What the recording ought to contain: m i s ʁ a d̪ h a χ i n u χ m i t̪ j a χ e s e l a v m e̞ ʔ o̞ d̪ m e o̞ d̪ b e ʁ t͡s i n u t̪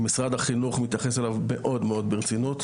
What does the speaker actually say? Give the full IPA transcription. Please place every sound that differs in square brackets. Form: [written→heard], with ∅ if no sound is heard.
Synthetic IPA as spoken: m i s ʁ a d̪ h a χ i n u χ m i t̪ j a χ e s e l a v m e̞ ʔ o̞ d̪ m e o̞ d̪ b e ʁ t͡s i n u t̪